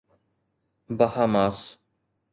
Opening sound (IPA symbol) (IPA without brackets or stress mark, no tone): b